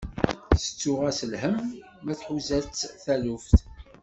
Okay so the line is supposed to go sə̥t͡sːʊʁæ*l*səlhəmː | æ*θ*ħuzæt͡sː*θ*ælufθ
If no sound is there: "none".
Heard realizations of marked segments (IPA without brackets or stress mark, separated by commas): none, θ, θ